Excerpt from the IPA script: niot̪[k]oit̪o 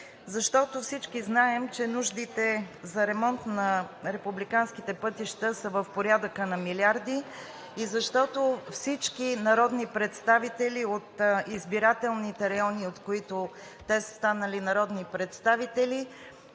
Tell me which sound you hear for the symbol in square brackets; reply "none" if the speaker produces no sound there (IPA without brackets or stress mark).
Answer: k